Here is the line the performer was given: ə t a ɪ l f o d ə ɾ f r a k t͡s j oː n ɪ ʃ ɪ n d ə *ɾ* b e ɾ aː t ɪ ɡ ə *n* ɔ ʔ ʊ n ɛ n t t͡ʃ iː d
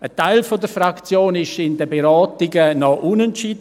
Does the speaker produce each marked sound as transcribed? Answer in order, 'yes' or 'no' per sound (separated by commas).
no, yes